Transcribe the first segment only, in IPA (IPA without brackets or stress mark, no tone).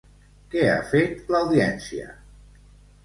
k